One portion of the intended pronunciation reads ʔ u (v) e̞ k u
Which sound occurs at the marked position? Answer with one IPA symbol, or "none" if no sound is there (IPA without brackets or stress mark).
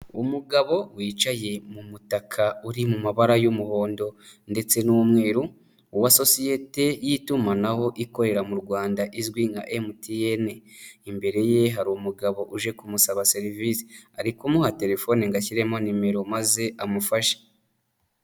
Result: ʒ